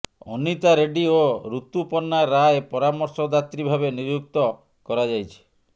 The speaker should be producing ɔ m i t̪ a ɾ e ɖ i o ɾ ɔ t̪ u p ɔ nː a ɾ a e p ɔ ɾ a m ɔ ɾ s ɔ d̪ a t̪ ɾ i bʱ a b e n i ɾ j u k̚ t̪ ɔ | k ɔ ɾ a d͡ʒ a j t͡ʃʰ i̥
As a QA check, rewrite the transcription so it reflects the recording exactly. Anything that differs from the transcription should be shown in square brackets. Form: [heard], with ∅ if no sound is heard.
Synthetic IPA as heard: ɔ [n] i t̪ a ɾ e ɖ i o ɾ [u] t̪ u p ɔ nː a ɾ a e p ɔ ɾ a m ɔ ɾ s ɔ d̪ a t̪ ɾ i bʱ a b e n i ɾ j u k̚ t̪ ɔ | k ɔ ɾ a d͡ʒ a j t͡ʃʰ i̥